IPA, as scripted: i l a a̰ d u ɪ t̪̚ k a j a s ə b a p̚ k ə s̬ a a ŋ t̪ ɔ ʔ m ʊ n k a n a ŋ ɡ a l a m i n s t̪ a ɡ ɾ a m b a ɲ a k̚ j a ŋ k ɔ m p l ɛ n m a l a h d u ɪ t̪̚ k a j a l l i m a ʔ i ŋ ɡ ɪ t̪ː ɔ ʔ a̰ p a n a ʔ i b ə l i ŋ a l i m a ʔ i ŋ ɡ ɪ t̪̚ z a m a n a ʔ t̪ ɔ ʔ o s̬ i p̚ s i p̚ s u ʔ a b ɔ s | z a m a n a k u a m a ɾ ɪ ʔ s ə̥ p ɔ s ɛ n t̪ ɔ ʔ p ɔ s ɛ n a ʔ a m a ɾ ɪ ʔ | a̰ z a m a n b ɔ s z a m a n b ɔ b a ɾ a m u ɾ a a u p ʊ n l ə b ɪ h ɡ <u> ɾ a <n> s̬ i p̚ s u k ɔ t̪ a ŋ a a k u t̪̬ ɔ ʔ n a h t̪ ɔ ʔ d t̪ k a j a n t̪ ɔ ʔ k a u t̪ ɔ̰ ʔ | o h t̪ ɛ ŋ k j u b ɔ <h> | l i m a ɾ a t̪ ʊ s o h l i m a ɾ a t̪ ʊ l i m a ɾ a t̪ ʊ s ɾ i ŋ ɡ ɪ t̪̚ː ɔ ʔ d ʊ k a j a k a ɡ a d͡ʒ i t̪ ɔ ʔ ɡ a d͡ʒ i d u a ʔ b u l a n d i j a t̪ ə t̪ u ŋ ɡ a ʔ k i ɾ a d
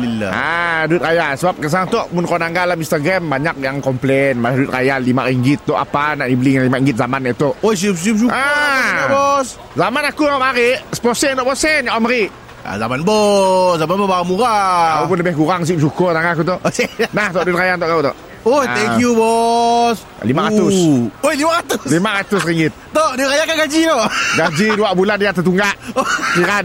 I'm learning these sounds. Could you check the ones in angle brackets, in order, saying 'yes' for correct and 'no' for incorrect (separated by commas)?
yes, no, no